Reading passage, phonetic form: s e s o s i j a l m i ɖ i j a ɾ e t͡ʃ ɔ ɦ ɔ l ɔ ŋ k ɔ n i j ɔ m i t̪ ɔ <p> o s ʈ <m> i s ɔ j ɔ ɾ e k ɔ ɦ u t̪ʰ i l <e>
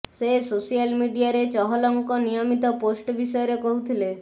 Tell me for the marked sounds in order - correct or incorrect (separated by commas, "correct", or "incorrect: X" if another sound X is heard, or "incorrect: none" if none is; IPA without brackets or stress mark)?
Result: correct, incorrect: b, correct